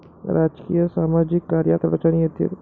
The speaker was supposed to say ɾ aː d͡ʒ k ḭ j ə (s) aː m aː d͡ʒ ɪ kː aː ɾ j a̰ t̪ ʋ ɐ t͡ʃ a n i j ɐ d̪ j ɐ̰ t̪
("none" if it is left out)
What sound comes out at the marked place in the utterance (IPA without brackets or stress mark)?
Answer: s